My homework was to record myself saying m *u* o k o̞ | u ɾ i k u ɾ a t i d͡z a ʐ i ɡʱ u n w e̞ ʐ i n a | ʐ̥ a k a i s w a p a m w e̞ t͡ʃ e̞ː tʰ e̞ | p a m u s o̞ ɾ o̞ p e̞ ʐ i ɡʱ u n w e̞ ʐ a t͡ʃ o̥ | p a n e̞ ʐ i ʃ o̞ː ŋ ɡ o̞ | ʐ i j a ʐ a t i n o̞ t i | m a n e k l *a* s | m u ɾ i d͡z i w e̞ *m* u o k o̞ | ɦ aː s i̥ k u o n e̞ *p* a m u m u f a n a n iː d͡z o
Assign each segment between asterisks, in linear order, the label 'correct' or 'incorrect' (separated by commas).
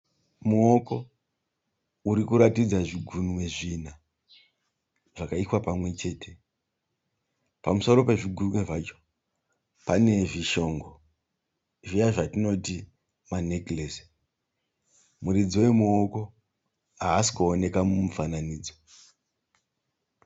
correct, incorrect, correct, incorrect